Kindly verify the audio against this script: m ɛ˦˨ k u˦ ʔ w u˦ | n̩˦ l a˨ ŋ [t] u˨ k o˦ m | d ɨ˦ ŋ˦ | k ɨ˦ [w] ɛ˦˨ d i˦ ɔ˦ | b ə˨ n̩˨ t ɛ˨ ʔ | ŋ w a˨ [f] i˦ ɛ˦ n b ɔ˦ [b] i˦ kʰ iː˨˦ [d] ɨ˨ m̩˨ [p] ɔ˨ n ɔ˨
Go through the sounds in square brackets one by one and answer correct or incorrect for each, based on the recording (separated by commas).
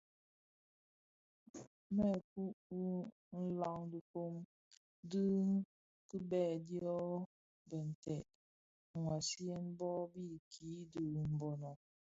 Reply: incorrect, incorrect, incorrect, correct, correct, incorrect